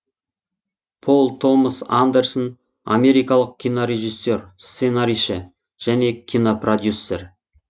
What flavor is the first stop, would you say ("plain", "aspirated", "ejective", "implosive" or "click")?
aspirated